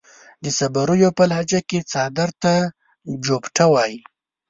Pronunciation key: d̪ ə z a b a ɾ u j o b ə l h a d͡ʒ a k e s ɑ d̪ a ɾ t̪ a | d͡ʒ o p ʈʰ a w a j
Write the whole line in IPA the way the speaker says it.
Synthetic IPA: d̪ ə s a b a ɾ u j o p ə l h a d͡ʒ a k e t͡s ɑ d̪ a ɾ t̪ a | d͡ʒ o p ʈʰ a w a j